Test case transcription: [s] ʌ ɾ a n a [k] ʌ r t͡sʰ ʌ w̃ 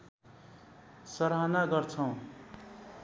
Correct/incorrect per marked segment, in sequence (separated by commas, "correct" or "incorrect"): correct, incorrect